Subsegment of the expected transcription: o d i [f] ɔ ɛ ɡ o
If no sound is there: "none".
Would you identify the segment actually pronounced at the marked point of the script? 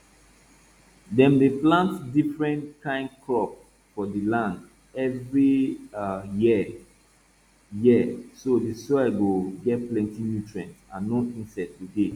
s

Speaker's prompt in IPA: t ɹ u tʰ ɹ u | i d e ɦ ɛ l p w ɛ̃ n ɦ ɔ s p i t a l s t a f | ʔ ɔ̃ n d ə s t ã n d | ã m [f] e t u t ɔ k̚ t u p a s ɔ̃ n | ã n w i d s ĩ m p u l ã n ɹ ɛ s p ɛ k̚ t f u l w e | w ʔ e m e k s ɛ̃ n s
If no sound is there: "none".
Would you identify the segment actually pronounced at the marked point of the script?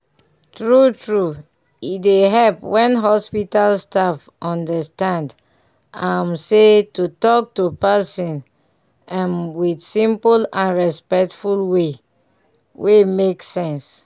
s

